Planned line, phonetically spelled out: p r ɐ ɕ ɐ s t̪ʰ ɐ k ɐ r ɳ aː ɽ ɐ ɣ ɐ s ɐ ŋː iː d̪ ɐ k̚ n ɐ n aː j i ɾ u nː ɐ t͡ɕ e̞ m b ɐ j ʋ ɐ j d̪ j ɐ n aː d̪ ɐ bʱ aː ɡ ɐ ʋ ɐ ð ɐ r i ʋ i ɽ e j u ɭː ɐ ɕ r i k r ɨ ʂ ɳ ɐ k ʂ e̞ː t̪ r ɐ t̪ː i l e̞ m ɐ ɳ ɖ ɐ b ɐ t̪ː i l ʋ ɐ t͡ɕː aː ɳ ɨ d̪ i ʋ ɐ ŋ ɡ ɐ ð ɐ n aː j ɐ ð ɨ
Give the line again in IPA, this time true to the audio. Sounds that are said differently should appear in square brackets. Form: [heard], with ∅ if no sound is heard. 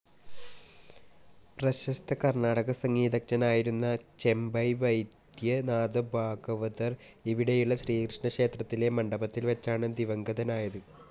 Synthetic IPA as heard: p r ɐ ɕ ɐ s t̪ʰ ɐ k ɐ r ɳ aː ɽ ɐ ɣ ɐ s ɐ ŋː iː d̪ ɐ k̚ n ɐ n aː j i ɾ u nː ɐ t͡ɕ e̞ m b ɐ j ʋ ɐ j d̪ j ɐ n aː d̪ ɐ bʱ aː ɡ ɐ ʋ ɐ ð ɐ r i ʋ i ɽ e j u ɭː ɐ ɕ r [iː] k r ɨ ʂ ɳ ɐ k ʂ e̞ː t̪ r ɐ t̪ː i l e̞ m ɐ ɳ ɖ ɐ b ɐ t̪ː i l ʋ ɐ t͡ɕː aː ɳ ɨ d̪ i ʋ ɐ ŋ ɡ ɐ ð ɐ n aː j ɐ ð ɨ